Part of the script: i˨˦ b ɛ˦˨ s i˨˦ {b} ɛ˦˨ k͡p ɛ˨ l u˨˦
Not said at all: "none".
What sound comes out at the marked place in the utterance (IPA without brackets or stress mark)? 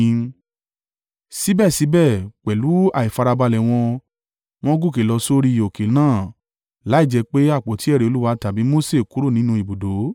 b